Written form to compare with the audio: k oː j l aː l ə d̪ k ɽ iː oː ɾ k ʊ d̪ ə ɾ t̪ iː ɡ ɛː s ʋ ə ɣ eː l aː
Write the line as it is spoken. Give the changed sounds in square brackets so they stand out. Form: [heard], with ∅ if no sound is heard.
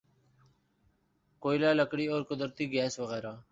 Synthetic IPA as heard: k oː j l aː l ə [∅] k ɽ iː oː ɾ k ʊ d̪ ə ɾ t̪ iː ɡ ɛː s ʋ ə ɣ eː [ɾ] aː